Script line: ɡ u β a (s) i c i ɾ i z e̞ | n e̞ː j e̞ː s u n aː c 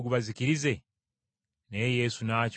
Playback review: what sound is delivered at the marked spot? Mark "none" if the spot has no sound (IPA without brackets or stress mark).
z